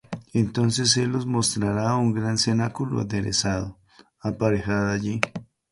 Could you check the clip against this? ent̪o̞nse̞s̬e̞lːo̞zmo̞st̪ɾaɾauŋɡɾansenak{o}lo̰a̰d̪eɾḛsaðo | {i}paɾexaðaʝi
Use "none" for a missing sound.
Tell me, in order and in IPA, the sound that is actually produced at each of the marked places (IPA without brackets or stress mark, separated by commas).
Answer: u, a